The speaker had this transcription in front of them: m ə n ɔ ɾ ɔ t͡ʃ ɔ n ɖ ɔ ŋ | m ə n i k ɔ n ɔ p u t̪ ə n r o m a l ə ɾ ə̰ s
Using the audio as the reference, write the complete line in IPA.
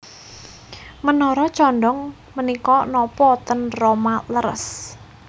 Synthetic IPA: m ə n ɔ ɾ ɔ t͡ʃ ɔ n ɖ ɔ ŋ | m ə n i k ɔ n ɔ p ɔ t̪ ə n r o m a l ə ɾ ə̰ s